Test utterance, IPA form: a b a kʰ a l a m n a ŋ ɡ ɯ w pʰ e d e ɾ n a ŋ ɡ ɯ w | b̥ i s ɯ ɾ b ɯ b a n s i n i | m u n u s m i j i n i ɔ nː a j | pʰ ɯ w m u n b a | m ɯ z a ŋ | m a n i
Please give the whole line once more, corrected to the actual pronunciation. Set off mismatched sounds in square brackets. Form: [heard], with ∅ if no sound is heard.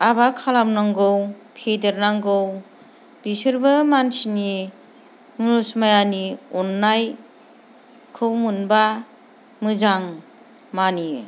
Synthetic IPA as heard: a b a kʰ a l a m n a ŋ ɡ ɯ w pʰ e d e ɾ n a ŋ ɡ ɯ w | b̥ i s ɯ ɾ b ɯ [m] a n s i n i | m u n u s m [a] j [a] n i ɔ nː a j | [kʰ] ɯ w m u n b a | m ɯ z a ŋ | m a n i